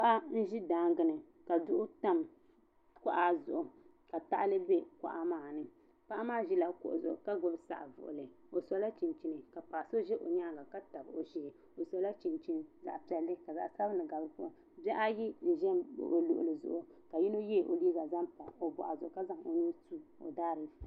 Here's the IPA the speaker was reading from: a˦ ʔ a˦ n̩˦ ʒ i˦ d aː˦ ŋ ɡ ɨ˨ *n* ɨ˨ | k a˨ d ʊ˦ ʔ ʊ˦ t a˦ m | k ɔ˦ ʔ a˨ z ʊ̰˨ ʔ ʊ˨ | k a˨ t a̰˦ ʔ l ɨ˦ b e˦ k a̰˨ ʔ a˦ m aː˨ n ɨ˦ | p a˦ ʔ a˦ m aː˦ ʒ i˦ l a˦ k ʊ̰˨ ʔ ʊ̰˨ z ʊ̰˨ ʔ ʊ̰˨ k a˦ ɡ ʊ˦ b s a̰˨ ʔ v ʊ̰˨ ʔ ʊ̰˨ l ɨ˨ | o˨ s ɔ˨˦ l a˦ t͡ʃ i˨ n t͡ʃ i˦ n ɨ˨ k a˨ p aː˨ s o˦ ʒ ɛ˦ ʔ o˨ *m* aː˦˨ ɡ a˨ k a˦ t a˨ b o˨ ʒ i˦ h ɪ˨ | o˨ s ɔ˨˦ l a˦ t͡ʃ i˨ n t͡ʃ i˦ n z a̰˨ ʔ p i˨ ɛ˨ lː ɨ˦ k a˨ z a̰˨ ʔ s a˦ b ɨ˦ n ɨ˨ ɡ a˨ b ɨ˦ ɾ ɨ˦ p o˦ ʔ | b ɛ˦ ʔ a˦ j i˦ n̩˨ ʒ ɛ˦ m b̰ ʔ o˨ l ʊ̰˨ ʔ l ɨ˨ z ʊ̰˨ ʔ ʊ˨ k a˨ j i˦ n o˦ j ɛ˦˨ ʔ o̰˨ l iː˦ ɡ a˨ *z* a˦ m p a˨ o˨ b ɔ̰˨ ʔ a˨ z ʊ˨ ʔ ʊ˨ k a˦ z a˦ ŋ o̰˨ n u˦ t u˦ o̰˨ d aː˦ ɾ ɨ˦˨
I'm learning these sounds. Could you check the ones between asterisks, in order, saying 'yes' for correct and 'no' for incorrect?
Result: yes, no, yes

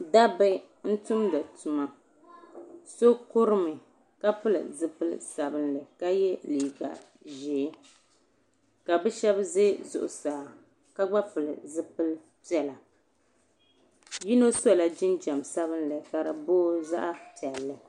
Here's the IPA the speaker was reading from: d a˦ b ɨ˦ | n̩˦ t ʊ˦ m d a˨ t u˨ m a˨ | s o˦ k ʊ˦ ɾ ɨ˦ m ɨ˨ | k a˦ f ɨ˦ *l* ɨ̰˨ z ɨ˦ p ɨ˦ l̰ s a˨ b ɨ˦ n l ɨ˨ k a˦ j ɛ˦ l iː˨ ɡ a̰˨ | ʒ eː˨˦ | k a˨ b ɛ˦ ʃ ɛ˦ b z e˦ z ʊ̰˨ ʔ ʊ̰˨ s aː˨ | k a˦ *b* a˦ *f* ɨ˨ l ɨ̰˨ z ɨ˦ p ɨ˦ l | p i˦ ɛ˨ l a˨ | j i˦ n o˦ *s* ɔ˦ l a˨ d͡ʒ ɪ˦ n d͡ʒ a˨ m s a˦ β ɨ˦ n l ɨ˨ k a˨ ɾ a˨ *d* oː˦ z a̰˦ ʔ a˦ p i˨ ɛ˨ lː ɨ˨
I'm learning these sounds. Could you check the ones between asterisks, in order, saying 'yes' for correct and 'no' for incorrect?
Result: yes, no, yes, yes, no

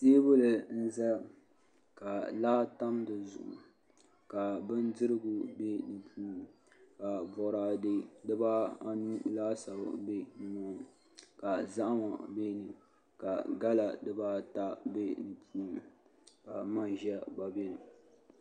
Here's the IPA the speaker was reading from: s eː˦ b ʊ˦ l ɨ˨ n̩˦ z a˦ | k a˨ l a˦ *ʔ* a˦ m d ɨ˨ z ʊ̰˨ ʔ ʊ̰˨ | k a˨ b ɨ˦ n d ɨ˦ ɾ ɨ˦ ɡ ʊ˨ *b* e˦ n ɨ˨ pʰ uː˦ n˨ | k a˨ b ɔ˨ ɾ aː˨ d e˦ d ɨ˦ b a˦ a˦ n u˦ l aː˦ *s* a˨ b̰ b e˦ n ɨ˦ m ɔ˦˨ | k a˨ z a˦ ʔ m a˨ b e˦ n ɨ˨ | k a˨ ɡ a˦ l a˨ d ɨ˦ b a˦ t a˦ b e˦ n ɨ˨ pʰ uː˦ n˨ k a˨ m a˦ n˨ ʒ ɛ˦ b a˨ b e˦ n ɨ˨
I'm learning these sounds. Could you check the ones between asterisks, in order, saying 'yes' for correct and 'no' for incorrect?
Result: no, yes, yes

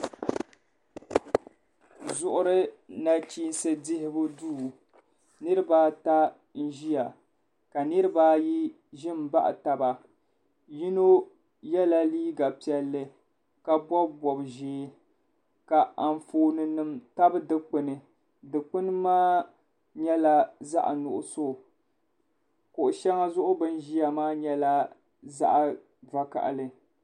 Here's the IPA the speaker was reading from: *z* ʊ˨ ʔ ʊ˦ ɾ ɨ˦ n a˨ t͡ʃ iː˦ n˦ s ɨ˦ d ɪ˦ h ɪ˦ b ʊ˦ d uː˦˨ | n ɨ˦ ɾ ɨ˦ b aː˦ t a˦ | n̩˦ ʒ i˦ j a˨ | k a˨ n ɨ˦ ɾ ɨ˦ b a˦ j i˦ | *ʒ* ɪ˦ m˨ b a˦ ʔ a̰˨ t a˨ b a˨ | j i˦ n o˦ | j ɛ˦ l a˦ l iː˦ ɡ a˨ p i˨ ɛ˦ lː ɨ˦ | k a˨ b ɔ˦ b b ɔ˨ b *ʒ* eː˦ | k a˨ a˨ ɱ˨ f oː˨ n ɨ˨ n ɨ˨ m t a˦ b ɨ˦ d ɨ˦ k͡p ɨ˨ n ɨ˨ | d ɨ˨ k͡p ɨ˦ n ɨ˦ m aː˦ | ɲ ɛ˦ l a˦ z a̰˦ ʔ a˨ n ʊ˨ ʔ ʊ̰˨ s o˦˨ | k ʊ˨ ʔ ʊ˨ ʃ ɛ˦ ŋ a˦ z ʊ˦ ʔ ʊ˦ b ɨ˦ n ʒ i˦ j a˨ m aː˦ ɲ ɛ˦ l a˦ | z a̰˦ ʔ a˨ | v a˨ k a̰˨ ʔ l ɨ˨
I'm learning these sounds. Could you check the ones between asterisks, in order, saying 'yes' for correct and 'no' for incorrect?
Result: yes, yes, yes

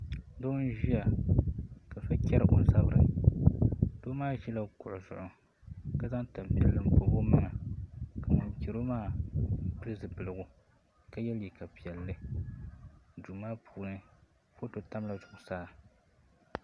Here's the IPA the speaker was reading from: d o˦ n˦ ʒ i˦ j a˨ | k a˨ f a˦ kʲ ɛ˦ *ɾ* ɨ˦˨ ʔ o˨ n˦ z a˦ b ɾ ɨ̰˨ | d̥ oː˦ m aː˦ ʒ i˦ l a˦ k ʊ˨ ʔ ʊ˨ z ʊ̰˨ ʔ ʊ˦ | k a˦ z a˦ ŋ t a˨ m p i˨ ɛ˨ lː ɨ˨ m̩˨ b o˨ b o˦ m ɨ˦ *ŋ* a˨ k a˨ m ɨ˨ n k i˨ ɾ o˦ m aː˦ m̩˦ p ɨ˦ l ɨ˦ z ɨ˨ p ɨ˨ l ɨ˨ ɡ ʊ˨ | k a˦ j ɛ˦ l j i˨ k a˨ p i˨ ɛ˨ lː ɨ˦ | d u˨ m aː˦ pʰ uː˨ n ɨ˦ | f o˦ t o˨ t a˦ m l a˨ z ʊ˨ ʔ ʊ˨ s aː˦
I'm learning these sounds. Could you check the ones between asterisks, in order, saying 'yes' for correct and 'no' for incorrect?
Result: yes, yes

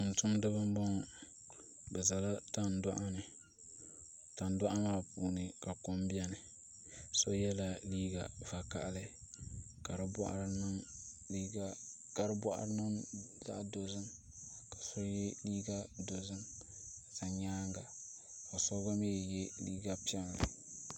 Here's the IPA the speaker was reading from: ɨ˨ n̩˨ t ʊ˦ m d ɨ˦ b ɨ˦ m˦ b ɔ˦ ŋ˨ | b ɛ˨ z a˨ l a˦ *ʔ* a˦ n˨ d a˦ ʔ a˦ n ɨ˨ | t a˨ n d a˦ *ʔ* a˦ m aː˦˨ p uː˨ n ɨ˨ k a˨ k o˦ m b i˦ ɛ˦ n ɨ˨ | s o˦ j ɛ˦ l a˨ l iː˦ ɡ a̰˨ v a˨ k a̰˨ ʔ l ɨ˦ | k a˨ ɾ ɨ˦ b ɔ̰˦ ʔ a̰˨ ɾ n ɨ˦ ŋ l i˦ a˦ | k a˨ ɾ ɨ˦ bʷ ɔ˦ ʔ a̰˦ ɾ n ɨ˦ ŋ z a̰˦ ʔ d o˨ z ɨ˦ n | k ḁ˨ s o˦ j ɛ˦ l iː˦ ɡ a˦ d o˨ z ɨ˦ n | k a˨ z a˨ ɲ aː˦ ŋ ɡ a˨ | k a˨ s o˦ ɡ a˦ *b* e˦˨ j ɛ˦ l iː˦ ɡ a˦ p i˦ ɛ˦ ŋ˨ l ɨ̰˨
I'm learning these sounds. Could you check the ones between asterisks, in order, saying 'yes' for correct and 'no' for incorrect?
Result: no, yes, no

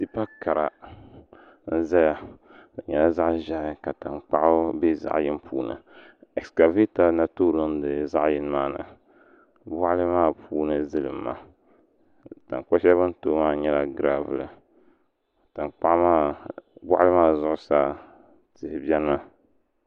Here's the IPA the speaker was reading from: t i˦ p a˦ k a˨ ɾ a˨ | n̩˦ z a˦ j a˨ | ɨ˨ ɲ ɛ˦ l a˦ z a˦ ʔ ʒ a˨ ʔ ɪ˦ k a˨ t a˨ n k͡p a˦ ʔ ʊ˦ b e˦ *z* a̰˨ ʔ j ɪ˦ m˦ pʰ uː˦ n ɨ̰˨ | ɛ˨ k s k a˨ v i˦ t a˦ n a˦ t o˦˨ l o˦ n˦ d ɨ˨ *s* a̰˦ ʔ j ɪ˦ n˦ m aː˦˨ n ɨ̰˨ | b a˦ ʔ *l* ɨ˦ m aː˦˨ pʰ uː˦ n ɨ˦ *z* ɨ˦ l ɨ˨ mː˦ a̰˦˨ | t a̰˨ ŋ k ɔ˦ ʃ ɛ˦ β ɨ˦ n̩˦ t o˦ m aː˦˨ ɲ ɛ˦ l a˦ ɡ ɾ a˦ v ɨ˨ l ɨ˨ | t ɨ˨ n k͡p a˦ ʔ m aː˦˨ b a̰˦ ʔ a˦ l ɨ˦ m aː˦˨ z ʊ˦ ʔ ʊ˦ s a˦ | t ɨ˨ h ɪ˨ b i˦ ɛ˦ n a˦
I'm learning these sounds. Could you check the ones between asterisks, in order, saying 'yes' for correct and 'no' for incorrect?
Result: yes, no, yes, yes

